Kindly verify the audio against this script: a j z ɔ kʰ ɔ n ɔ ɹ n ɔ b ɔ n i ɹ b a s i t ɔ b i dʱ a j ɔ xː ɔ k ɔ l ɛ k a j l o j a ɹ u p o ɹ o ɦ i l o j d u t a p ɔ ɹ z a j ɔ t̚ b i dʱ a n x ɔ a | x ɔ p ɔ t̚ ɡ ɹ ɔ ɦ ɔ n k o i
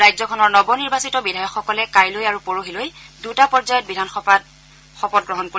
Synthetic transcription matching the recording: a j z ɔ kʰ ɔ n ɔ ɹ n ɔ b ɔ n i ɹ b a s i t ɔ b i dʱ a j ɔ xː ɔ k ɔ l ɛ k a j l o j a ɹ u p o ɹ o ɦ i l o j d u t a p ɔ ɹ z a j ɔ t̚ b i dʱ a n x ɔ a | x ɔ p ɔ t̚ ɡ ɹ ɔ ɦ ɔ n k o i